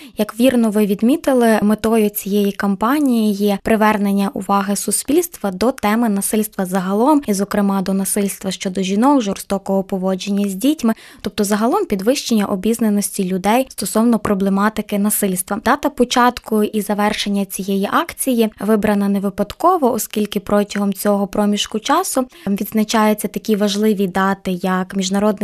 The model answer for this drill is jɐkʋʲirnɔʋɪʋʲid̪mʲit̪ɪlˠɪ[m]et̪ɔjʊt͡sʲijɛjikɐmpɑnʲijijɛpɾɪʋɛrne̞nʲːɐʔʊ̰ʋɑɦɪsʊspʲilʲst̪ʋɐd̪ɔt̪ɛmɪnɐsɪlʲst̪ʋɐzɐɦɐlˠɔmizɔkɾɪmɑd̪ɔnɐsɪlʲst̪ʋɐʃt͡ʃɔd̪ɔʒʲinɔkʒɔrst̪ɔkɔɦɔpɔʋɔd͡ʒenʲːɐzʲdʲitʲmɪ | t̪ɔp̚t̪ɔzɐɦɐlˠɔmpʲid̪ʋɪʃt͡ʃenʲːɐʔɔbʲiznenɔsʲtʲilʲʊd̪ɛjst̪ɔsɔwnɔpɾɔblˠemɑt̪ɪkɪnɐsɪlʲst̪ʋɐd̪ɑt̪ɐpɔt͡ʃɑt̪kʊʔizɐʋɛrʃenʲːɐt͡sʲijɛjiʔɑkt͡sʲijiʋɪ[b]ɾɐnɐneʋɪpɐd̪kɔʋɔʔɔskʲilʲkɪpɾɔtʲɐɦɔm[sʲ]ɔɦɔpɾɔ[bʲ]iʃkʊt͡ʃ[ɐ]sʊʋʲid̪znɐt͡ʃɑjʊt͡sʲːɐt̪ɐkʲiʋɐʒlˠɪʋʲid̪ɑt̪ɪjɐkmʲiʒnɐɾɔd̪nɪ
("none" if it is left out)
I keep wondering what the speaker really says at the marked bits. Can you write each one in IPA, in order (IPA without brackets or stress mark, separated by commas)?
m, b, t͡sʲ, mʲ, ɑ